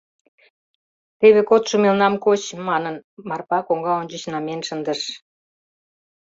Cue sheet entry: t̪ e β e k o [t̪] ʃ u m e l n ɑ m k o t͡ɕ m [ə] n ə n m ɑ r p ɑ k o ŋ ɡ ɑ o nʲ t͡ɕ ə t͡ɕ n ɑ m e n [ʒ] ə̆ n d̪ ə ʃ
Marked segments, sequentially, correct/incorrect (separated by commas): correct, incorrect, incorrect